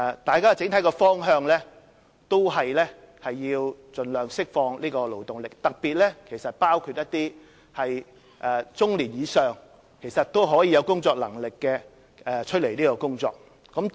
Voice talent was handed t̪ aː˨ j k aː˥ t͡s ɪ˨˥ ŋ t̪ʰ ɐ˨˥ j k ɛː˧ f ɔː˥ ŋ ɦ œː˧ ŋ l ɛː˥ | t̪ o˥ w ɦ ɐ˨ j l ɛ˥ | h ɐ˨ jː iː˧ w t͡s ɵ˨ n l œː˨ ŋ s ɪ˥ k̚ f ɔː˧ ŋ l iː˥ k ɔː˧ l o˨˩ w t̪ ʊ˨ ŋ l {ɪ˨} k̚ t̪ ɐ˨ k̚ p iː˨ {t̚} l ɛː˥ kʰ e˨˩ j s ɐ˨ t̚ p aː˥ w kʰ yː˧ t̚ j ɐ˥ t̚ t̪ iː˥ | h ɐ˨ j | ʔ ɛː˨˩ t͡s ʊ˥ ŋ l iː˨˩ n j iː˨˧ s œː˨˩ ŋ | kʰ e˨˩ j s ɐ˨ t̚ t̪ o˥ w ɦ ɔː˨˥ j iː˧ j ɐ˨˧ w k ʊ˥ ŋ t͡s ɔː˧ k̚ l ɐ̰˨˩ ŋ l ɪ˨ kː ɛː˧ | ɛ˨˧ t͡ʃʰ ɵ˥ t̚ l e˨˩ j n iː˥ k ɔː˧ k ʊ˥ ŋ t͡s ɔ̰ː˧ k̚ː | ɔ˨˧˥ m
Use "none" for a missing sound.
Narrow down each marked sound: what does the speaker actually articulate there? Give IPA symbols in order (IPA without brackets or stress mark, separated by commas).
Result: ɪ˨, t̚